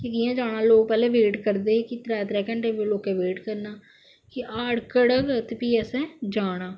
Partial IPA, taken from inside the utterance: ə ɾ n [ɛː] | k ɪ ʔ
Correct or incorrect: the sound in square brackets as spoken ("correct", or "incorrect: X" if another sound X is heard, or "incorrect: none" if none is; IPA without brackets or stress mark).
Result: incorrect: aː